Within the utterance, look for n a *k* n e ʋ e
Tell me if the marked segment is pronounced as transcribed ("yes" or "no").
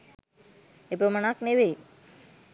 yes